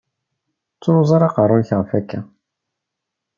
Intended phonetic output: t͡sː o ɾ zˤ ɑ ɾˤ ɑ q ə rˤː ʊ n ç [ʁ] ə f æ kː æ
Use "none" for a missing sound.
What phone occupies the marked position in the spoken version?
ʁ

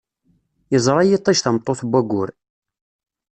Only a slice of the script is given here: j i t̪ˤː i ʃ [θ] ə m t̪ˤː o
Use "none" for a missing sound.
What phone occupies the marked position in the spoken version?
θ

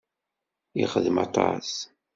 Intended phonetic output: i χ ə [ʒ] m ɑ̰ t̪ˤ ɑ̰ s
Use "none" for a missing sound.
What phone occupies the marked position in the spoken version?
ð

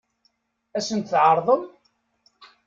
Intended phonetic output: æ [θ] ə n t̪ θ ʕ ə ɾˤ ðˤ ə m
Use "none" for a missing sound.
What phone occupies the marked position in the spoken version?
s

